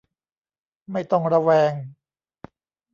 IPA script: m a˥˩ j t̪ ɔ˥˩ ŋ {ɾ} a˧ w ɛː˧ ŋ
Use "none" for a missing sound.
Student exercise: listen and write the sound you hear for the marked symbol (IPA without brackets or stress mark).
ɾ